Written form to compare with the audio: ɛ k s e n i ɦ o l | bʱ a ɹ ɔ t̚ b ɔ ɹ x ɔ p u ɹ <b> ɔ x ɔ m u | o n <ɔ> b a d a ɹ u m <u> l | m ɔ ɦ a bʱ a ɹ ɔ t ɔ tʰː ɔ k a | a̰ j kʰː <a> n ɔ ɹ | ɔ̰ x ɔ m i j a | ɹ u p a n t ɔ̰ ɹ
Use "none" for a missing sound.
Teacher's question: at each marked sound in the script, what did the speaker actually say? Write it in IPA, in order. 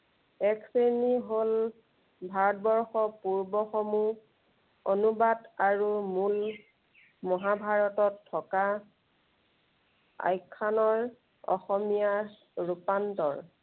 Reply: b, u, u, a

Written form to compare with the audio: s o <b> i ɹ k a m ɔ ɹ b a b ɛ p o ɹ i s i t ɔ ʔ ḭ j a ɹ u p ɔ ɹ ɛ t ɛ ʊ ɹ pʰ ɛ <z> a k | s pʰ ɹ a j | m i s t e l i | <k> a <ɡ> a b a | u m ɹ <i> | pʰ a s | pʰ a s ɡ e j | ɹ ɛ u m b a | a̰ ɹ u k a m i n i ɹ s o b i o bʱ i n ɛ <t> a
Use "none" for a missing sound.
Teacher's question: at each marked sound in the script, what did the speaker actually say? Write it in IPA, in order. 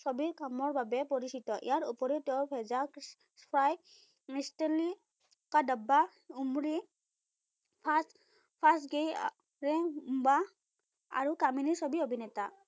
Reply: b, z, k, d, i, t

